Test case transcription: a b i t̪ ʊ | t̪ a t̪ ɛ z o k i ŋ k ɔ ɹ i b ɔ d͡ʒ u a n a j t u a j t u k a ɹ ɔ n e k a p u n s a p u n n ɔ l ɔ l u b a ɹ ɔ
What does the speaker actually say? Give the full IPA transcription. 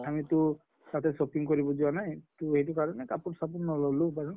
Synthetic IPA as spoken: a m i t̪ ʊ | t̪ a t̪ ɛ s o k i ŋ k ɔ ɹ i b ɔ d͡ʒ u a n a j t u e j t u k a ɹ ɔ n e k a p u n s a p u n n ɔ l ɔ l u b a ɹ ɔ